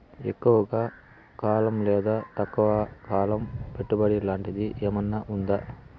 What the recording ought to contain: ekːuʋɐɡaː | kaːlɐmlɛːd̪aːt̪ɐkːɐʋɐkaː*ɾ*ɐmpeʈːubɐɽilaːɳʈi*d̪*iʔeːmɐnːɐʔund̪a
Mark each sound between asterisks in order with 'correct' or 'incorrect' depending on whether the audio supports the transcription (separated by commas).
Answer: incorrect, correct